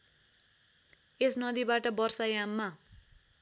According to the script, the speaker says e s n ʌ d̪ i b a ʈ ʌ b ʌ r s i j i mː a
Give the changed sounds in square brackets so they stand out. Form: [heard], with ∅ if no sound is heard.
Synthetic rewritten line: e s n ʌ d̪ i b a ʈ ʌ b ʌ r s [a] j [a] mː a